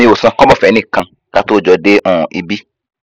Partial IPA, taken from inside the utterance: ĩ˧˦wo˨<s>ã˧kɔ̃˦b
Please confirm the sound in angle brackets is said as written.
yes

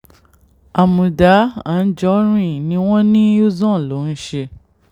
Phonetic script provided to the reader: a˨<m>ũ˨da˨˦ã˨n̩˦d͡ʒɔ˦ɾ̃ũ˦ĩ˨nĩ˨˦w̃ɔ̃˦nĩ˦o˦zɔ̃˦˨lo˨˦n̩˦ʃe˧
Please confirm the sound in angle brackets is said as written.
yes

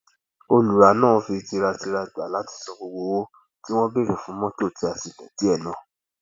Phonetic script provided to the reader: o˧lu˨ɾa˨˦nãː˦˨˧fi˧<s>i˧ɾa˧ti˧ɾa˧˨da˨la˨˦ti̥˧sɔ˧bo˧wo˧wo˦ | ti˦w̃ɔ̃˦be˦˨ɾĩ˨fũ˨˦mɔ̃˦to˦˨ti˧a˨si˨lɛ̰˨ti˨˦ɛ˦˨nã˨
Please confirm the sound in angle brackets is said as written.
no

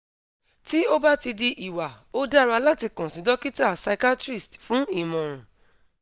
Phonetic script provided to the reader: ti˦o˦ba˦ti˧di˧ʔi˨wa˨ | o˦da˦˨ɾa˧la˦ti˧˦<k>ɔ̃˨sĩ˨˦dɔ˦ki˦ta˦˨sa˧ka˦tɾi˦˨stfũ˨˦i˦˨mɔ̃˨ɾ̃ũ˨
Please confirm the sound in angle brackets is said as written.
yes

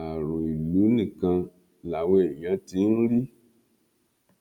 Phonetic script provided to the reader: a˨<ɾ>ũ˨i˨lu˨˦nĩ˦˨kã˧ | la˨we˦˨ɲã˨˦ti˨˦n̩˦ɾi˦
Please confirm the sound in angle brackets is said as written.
yes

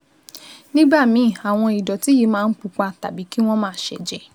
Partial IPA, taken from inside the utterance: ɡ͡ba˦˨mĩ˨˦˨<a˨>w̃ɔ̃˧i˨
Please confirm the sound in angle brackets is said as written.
yes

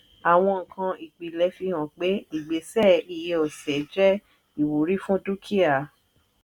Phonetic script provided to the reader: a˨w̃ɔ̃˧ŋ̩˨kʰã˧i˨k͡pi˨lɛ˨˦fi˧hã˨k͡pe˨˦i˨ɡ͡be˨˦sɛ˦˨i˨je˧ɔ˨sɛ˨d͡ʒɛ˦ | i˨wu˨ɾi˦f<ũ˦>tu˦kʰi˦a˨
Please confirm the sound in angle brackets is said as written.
yes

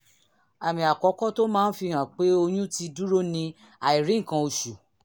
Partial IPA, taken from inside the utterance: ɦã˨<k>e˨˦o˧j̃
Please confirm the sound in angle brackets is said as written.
no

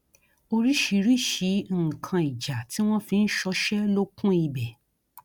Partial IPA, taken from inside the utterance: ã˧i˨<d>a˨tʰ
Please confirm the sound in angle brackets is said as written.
no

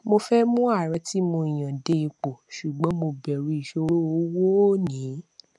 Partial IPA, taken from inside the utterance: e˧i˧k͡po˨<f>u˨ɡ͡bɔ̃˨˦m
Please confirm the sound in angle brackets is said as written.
no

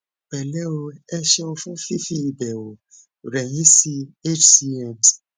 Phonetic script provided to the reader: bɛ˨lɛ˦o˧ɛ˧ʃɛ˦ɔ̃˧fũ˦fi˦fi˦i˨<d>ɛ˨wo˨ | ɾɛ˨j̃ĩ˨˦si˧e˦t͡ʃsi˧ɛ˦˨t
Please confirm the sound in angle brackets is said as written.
no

